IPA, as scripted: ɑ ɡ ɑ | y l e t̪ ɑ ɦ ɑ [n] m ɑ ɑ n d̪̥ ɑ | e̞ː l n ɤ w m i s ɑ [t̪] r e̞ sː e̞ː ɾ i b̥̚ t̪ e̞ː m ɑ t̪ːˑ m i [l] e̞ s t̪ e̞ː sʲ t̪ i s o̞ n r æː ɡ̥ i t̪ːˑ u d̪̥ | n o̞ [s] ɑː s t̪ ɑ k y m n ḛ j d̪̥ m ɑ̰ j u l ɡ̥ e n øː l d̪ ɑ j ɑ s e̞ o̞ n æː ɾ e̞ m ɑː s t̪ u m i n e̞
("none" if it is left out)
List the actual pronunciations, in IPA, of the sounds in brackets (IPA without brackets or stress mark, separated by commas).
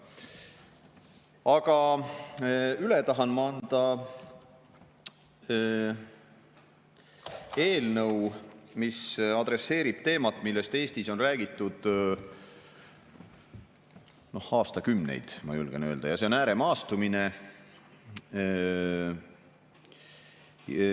n, d̪, lː, h